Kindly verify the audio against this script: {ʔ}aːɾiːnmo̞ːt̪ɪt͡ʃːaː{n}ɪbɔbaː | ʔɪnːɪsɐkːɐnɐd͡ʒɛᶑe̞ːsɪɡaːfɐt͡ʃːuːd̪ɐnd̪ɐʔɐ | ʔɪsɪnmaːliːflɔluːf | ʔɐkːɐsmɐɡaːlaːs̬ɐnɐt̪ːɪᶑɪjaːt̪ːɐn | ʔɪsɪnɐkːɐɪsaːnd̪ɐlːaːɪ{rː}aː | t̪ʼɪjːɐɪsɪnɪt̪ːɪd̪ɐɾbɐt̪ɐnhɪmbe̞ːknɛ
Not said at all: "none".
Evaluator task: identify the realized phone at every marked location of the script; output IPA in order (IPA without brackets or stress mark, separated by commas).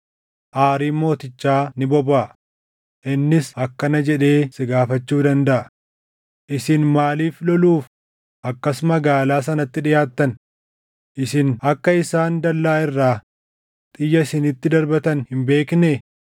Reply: ʔ, n, rː